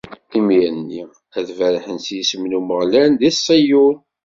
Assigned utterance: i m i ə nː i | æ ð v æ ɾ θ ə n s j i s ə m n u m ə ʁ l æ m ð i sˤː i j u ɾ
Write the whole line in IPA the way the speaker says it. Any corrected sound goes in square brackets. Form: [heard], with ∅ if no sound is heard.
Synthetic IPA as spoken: i m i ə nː i | æ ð v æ ɾ [ħ] ə n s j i s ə m n u m ə ʁ l æ [n] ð i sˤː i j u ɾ